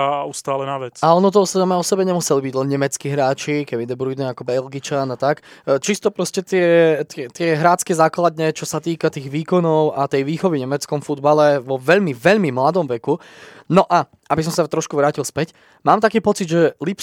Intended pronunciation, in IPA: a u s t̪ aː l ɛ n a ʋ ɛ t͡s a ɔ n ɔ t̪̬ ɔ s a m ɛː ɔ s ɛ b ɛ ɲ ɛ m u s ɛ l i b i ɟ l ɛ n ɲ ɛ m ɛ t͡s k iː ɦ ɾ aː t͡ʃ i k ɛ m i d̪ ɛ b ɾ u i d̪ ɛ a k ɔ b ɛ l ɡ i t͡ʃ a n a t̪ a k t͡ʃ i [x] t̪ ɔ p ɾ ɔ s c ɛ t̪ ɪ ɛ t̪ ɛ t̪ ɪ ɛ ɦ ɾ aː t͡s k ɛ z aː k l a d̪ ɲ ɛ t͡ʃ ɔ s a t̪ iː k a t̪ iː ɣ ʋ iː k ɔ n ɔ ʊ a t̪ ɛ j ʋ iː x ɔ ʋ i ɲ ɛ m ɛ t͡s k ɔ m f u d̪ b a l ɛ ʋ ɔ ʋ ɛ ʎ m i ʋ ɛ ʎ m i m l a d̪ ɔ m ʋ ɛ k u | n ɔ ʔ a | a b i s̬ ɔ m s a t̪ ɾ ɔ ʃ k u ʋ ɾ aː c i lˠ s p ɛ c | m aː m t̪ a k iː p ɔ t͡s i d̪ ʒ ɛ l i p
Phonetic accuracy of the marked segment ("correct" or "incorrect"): incorrect